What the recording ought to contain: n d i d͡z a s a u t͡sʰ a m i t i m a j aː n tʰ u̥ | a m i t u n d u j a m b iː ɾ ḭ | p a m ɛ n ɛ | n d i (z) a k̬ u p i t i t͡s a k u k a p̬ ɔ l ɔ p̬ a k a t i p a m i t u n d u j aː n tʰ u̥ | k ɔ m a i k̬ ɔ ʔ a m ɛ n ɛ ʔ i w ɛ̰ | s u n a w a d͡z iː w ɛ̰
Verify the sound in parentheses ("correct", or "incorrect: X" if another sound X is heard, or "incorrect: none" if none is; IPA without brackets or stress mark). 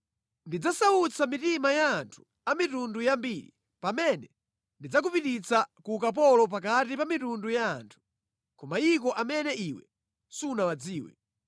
incorrect: d͡z